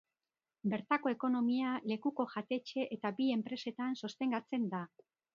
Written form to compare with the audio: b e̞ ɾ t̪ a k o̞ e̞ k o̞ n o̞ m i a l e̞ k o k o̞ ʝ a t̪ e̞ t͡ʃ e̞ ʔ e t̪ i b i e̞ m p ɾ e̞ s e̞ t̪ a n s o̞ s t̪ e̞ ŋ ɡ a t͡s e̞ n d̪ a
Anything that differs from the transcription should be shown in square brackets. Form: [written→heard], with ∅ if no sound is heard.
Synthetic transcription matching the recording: b e̞ ɾ t̪ a k o̞ e̞ k o̞ n o̞ m i a l e̞ k [o→u] k o̞ ʝ a t̪ e̞ t͡ʃ e̞ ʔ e t̪ [i→a] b i e̞ m p ɾ e̞ s e̞ t̪ a n s o̞ s t̪ e̞ ŋ ɡ a t͡s e̞ n d̪ a